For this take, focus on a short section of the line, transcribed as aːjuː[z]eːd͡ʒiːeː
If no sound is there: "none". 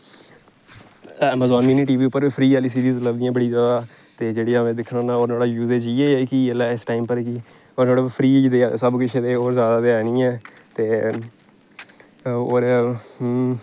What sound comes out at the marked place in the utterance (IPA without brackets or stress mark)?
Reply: z